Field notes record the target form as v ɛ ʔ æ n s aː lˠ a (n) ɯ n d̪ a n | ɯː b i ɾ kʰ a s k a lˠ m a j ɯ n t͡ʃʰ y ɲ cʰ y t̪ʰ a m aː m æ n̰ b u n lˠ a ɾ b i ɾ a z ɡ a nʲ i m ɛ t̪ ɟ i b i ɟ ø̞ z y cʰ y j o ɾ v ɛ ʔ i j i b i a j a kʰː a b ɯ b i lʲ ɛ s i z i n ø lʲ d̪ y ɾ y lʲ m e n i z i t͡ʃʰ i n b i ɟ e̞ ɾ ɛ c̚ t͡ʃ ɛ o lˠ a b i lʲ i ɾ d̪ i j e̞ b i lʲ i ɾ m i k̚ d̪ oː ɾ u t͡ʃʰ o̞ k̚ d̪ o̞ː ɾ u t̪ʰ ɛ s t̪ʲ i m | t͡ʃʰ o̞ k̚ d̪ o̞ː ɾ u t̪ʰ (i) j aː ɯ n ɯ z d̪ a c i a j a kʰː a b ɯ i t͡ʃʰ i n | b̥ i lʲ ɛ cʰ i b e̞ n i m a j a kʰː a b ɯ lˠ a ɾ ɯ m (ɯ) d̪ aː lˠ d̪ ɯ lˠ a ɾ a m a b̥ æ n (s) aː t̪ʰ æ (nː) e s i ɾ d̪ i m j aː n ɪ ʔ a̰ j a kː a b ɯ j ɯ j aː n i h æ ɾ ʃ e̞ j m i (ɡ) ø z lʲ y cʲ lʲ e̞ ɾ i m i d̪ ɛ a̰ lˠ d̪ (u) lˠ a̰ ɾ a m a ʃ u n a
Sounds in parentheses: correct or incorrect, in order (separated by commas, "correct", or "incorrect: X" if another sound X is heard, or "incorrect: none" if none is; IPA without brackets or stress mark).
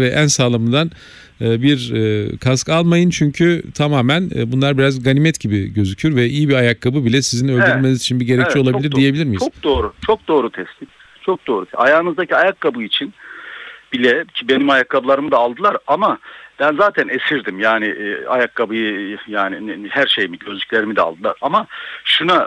incorrect: m, incorrect: a, correct, incorrect: z, incorrect: n, incorrect: ɟ, incorrect: ɯ